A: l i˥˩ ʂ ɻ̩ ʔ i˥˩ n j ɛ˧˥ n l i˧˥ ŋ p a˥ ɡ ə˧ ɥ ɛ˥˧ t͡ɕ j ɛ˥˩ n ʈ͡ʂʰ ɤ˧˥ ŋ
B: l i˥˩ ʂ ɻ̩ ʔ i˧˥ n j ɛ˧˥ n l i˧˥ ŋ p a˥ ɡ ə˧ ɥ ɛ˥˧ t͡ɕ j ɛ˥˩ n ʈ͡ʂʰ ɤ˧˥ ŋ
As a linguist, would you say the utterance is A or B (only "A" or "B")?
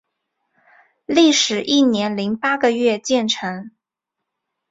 A